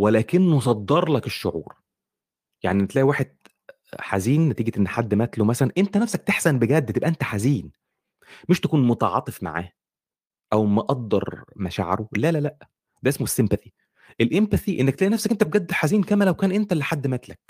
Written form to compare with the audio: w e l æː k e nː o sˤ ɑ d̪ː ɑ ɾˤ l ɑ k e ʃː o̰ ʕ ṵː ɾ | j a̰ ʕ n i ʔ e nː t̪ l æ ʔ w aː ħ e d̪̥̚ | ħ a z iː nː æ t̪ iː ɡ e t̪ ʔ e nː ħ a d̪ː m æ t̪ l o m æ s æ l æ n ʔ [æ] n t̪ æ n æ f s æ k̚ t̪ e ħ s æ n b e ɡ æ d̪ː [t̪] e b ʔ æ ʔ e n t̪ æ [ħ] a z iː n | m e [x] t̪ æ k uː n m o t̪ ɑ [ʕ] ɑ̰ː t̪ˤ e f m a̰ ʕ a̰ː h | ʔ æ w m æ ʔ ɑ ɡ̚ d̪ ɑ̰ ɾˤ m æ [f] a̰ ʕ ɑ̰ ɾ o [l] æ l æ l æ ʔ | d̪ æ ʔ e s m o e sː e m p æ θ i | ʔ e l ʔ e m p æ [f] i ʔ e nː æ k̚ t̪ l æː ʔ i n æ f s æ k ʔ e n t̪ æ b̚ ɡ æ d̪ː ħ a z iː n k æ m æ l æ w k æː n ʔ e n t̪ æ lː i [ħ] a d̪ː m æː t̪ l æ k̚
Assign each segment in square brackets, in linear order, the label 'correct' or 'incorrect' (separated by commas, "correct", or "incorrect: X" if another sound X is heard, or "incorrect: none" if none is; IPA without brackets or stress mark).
incorrect: e, correct, correct, incorrect: ʃ, correct, incorrect: ʃ, correct, incorrect: θ, correct